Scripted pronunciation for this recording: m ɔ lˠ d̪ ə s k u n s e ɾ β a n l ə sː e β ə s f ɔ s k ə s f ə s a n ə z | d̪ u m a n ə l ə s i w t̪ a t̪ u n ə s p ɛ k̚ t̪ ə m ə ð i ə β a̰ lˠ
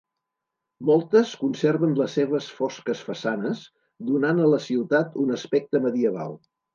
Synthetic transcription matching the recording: m ɔ lˠ t̪ ə s k u n s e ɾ β ə n l ə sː e β ə s f ɔ s k ə s f ə s a n ə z | d̪ u n a n ə l ə s i w t̪ a t̪ u n ə s p ɛ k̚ t̪ ə m ə ð i ə β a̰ lˠ